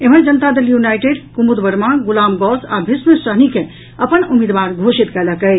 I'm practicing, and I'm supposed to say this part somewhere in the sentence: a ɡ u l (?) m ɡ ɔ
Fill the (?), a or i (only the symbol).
a